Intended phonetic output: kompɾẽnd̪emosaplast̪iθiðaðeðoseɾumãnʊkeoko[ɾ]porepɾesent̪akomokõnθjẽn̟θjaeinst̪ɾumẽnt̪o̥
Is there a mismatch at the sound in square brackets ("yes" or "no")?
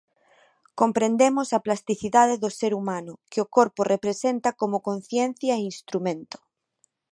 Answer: no